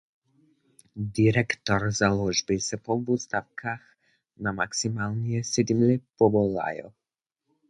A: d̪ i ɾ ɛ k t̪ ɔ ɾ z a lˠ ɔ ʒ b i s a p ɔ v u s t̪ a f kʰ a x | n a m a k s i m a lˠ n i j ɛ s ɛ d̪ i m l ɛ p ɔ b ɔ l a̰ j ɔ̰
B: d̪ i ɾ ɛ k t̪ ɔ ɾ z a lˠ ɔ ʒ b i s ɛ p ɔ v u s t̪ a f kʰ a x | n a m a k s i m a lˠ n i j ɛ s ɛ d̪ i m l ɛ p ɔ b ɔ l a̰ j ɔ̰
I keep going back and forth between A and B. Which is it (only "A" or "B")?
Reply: B